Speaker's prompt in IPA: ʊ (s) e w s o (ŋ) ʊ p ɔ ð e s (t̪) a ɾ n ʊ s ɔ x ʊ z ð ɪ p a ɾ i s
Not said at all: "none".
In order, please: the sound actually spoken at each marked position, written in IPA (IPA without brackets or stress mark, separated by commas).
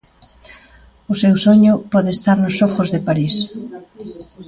s, ɲ, t̪